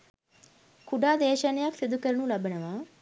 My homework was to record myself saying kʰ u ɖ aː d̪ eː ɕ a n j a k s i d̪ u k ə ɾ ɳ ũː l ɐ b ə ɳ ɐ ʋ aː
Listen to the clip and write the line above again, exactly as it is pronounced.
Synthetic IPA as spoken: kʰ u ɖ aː d̪ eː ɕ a n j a k s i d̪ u k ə ɾ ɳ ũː l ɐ b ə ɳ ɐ ʋ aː

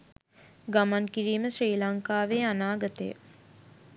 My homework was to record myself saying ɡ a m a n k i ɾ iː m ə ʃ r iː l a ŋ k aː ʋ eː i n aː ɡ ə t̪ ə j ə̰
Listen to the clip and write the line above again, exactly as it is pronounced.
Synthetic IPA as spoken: ɡ a m a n k i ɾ iː m ə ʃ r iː l a ŋ k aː ʋ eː a n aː ɡ ə t̪ ə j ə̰

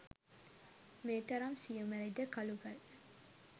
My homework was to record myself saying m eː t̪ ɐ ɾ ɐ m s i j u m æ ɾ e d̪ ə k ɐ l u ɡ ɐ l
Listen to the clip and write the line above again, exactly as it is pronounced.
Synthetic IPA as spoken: m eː t̪ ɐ ɾ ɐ m s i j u m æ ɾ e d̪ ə k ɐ l u ɡ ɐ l

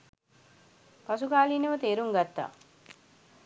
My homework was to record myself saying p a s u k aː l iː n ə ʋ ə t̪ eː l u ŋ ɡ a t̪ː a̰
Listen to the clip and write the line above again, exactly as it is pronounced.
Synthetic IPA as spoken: p a s u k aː l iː n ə ʋ ə t̪ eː ɾ u ŋ ɡ a t̪ː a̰

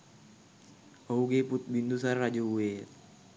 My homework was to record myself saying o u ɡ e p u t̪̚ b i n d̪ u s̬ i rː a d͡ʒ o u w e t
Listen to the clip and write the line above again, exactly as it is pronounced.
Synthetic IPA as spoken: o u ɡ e p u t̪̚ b i n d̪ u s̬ a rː a d͡ʒ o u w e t

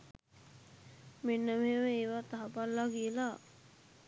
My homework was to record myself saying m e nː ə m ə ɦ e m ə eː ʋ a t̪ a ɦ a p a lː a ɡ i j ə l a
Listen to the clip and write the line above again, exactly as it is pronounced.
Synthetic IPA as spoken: m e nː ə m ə ɦ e m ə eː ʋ a t̪ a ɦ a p a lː a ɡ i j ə l a

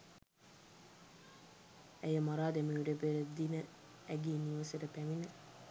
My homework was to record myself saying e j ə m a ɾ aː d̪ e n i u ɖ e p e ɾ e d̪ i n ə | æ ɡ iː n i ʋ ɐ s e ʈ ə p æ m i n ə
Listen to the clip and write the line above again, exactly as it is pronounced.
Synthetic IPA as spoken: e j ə m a ɾ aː d̪ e m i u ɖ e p e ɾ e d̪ i n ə | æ ɡ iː n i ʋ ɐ s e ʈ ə p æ m i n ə

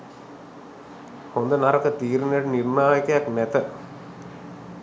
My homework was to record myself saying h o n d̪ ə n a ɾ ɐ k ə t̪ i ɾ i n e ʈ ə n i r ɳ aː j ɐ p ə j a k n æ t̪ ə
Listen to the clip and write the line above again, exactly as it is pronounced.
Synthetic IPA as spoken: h o n d̪ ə n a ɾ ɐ k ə t̪ iː ɾ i n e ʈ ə n i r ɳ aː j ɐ k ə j a k n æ t̪ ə

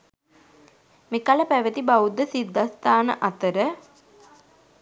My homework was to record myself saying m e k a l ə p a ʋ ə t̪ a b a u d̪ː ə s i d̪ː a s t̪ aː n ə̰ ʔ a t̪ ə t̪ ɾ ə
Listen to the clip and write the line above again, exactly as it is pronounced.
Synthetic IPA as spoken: m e k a l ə p æ ʋ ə t̪ i b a u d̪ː ə s i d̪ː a s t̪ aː n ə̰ ʔ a t̪ ə ɾ ə

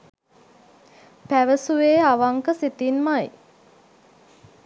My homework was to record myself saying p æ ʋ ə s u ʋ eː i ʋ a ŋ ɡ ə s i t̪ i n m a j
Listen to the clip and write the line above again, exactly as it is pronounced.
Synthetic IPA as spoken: p æ ʋ ə s u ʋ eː a ʋ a ŋ k ə s i t̪ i n m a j

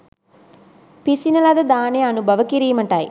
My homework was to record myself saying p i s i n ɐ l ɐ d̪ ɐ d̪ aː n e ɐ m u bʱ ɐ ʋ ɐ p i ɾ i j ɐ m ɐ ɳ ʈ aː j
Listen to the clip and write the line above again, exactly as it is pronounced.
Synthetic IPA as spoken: p i s i n ɐ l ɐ d̪ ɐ d̪ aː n e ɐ n u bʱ ɐ ʋ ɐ k i ɾ i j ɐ m ɐ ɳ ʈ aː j

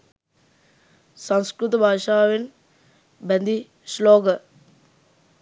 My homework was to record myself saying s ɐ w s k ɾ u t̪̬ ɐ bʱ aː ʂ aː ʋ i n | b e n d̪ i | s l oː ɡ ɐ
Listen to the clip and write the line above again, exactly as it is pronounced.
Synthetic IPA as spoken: s ɐ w s k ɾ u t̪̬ ɐ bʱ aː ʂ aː ʋ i n | b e n d̪ i | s l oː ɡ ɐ

